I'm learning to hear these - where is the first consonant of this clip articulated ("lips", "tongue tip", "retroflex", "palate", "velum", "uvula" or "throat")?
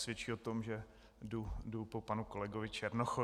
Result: tongue tip